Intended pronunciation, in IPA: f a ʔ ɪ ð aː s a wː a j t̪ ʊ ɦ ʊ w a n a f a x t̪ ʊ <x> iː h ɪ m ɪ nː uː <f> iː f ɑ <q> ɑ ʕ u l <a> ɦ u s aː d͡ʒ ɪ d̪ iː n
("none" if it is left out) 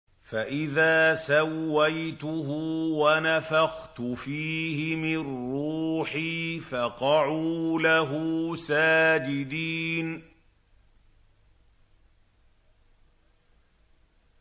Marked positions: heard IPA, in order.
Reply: f, ħ, q, a

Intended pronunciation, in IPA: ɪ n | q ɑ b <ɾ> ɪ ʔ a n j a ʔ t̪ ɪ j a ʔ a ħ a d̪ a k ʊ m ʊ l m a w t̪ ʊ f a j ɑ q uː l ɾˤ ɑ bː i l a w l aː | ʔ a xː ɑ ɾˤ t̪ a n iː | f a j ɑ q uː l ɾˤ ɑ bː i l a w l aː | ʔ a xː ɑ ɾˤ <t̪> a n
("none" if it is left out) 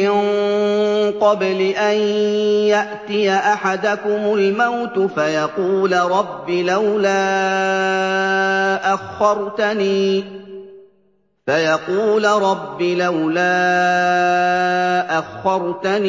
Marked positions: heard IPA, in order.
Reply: l, t̪

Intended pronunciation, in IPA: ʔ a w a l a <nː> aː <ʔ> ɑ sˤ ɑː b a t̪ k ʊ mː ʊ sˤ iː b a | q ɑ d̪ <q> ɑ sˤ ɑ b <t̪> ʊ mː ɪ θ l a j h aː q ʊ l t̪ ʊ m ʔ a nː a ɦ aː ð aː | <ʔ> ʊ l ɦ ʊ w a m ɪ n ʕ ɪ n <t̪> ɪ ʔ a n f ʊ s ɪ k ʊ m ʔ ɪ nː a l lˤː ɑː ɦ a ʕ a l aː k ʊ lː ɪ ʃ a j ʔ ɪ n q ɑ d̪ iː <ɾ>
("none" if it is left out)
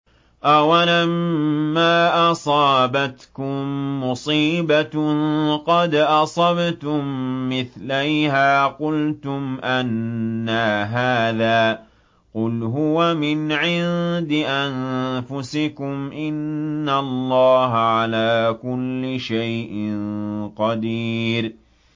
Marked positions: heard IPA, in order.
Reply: mː, ʔ, ʔ, t̪, q, d̪, ɾ

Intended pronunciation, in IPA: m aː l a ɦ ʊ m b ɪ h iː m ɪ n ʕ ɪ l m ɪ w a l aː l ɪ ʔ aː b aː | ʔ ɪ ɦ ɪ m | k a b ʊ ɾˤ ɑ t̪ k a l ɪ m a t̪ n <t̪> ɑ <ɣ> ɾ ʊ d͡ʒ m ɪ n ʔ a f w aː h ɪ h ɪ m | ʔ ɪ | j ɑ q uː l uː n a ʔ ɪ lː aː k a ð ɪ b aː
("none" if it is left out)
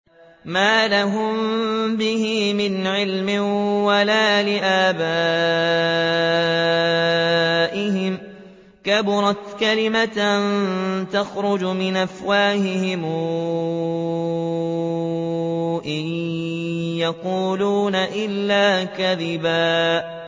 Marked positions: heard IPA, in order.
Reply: t̪, x

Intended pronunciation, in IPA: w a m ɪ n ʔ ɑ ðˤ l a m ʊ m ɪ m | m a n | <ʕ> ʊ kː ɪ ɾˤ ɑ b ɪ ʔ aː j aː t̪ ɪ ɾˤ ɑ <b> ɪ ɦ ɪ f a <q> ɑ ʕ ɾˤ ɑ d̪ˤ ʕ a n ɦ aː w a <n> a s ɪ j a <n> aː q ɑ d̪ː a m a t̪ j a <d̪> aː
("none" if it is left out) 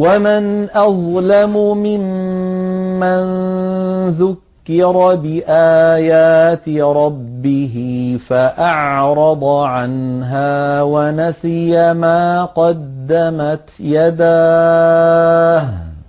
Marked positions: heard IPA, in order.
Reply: ð, bː, ʔ, n, m, d̪

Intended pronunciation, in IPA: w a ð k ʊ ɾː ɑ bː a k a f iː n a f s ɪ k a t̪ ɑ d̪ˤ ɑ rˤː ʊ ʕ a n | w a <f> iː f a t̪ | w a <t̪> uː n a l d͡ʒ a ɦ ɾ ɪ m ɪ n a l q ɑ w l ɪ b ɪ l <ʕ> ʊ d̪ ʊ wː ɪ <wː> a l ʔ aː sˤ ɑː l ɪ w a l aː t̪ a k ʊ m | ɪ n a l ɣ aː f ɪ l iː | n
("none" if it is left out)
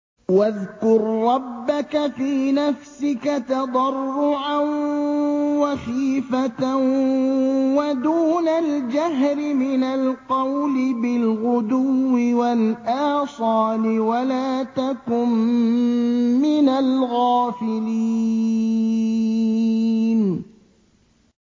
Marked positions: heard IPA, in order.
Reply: x, d̪, ɣ, w

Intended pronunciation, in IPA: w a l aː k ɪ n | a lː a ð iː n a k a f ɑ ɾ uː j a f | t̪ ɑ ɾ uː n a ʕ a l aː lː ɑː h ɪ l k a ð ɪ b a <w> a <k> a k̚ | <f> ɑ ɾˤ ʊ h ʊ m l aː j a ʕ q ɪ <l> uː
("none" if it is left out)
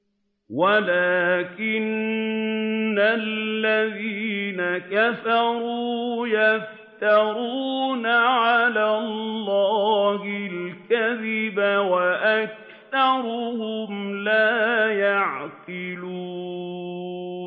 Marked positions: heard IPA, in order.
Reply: w, ʔ, θ, l

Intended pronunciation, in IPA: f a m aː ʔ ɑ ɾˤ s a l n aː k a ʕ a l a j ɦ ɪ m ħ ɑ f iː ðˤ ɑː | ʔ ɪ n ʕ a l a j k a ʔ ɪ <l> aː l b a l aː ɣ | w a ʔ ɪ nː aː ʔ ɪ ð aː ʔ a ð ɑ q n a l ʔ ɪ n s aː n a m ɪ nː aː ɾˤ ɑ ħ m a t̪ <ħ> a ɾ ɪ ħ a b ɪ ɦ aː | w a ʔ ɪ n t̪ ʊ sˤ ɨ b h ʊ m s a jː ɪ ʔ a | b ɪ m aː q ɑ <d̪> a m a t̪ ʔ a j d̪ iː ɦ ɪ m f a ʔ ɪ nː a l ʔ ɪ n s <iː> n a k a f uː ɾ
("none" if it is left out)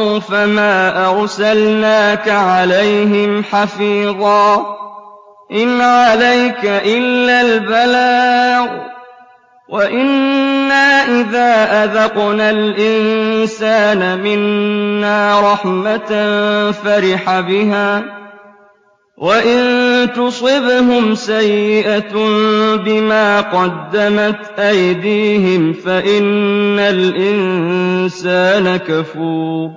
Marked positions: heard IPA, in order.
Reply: lː, f, d̪ː, aː

